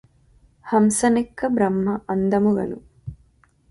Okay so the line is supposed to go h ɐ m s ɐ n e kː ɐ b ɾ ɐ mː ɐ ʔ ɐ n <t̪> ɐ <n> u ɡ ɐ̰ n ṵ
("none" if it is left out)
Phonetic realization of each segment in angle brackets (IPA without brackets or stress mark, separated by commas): d̪, m